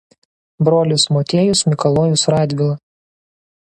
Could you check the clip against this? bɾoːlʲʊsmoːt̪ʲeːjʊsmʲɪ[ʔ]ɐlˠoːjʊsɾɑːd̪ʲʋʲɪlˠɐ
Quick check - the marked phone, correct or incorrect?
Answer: incorrect